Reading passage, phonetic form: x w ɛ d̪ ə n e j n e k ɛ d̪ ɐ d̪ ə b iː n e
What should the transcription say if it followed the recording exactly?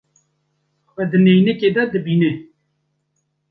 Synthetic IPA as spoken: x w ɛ d̪ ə n e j n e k e d̪ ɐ d̪ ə b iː n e